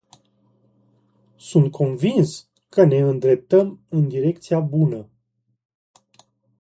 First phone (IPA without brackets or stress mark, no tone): s